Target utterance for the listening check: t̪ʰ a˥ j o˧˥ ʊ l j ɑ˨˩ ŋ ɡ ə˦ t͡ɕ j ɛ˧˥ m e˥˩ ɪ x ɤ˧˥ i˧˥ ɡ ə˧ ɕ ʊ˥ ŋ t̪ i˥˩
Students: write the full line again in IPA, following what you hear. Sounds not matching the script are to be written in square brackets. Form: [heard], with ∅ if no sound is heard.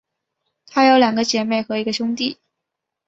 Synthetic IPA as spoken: t̪ʰ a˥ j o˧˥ ʊ l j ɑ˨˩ ŋ ɡ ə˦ t͡ɕ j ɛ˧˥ m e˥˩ ɪ x ɤ˧˥ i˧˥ ɡ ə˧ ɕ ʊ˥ ŋ t̪ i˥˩